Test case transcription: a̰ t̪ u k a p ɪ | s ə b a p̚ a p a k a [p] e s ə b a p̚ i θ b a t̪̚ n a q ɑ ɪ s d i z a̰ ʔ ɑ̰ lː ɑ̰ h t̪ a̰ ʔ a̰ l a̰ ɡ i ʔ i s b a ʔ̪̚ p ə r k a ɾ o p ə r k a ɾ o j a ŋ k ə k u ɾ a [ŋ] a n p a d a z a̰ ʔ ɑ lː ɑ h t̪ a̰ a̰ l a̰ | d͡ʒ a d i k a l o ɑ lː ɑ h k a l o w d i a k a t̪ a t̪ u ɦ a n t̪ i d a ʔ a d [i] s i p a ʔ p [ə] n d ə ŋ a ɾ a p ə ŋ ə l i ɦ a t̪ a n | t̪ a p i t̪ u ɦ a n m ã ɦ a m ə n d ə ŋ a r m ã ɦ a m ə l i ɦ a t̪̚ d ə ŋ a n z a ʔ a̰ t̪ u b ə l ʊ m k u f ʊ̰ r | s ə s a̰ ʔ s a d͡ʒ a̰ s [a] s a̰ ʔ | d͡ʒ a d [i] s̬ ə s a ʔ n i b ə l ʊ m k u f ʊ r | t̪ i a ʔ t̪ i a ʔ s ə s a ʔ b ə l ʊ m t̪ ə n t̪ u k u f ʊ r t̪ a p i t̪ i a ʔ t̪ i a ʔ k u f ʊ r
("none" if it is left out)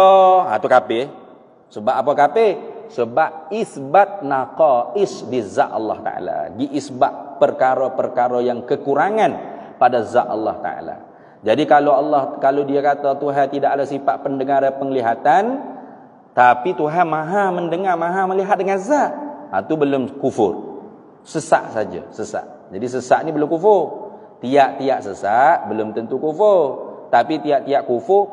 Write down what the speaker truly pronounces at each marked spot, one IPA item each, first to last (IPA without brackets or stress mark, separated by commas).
p, ŋ, a, ə, ə, i